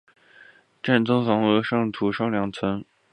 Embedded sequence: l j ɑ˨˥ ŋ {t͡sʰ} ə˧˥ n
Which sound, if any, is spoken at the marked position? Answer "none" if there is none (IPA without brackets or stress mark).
t͡sʰ